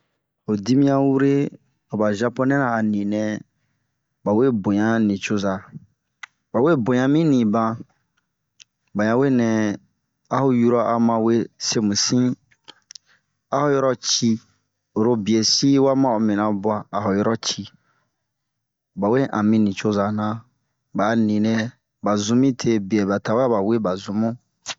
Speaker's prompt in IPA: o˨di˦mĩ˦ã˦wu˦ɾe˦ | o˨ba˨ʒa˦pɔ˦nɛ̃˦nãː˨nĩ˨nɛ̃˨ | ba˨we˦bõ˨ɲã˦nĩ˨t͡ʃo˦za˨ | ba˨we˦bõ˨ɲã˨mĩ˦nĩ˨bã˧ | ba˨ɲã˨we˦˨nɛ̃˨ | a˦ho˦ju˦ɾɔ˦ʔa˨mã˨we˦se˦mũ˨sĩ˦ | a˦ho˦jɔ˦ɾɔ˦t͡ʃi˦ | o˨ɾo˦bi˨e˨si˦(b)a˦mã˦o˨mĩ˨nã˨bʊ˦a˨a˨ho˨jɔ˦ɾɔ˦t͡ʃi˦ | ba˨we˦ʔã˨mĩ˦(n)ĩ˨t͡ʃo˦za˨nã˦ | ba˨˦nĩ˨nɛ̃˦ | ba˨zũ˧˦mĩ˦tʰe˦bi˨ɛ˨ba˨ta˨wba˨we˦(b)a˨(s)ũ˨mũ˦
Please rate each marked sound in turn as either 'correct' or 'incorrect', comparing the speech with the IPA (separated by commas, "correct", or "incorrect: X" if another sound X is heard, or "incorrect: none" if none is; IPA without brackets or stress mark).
incorrect: w, correct, correct, incorrect: z